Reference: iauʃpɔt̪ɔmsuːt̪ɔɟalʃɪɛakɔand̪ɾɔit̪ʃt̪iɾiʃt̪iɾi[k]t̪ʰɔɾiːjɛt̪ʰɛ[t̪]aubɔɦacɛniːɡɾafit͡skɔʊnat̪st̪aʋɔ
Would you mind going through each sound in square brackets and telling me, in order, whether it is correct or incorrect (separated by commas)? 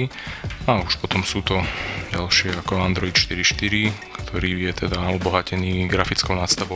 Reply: correct, incorrect